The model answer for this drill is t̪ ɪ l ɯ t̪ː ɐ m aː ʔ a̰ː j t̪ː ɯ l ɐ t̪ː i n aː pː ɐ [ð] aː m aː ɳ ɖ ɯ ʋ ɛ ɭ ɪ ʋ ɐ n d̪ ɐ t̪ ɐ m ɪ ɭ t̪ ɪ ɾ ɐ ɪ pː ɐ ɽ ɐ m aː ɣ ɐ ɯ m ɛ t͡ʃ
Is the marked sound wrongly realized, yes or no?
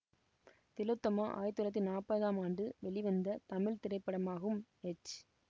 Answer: no